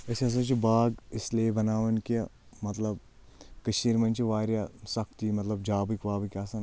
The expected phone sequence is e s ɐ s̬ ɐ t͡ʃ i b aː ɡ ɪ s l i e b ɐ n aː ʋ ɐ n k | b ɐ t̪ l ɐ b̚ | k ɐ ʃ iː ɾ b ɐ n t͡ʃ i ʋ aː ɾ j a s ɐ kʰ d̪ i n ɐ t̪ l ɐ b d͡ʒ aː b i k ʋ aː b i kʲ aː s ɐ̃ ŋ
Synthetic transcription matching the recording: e s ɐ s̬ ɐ t͡ʃ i b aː ɡ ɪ s l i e b ɐ n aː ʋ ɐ n k | m ɐ t̪ l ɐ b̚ | k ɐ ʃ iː ɾ m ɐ n t͡ʃ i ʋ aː ɾ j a s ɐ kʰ t̪ i m ɐ t̪ l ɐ b d͡ʒ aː b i k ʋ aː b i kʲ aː s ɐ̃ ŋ

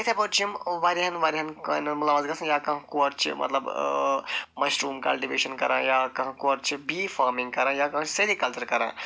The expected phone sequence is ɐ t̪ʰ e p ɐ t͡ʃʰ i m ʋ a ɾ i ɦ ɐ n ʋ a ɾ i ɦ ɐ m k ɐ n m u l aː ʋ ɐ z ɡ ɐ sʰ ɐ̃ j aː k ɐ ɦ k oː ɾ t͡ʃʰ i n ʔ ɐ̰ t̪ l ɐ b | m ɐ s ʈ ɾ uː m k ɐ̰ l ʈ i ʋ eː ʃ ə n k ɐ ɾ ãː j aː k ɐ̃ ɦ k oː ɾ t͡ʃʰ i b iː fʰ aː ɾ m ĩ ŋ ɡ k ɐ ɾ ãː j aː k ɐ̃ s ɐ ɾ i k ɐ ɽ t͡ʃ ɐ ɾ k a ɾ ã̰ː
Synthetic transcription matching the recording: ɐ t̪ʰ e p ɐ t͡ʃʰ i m ʋ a ɾ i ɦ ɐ n ʋ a ɾ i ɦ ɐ n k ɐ n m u l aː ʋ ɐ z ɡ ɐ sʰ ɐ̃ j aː k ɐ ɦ k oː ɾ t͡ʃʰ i m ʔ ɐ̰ t̪ l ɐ b | m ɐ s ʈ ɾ uː m k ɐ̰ l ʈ i ʋ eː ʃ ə n k ɐ ɾ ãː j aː k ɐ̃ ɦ k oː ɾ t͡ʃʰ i b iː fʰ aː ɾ m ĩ ŋ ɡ k ɐ ɾ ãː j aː k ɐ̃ s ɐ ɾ i k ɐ l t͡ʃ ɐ ɾ k ɐ ɾ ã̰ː

